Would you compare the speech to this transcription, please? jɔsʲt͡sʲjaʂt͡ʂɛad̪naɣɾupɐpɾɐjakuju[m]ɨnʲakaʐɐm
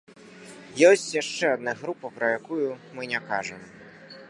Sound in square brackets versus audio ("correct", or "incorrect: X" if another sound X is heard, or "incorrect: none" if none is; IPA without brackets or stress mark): correct